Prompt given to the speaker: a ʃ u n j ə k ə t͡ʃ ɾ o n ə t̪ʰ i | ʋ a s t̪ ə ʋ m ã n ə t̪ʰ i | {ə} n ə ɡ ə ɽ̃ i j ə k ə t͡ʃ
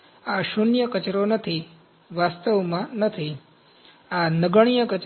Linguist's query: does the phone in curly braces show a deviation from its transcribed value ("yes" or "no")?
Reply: yes